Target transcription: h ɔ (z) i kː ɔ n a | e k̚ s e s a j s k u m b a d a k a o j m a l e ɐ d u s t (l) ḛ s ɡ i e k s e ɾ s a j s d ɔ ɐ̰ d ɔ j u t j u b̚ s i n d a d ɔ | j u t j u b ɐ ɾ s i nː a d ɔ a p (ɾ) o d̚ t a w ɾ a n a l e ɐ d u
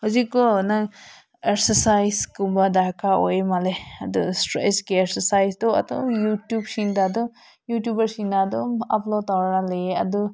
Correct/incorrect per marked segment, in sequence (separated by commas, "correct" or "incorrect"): correct, incorrect, incorrect